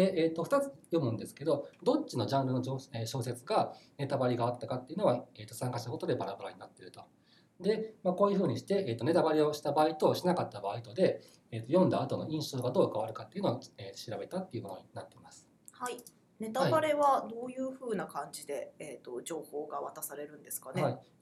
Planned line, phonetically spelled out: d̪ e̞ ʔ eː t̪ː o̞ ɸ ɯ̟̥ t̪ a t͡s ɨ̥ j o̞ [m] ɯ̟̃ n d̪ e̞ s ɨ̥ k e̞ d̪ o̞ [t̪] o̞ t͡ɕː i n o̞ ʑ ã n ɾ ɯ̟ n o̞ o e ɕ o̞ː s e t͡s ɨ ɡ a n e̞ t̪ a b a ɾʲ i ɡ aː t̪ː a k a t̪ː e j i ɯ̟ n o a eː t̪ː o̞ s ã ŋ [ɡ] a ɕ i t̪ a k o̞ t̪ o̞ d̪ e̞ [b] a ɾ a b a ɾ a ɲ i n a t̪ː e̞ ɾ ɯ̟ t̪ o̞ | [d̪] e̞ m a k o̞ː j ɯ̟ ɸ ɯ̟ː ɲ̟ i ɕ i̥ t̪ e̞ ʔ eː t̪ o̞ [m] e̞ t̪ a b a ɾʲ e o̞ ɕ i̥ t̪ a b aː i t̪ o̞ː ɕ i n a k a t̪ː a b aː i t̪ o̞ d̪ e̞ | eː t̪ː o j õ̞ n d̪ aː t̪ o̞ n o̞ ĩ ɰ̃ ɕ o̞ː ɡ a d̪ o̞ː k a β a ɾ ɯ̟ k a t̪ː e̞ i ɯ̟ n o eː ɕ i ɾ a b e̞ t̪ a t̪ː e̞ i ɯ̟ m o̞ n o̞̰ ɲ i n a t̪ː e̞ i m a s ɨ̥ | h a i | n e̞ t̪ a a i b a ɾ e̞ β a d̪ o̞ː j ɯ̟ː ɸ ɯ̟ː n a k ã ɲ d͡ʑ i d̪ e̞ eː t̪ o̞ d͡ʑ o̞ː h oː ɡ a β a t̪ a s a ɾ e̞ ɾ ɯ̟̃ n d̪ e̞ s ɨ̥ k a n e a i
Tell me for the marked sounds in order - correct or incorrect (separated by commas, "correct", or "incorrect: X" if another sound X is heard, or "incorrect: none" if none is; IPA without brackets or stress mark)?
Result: correct, incorrect: d̪, incorrect: k, correct, correct, incorrect: n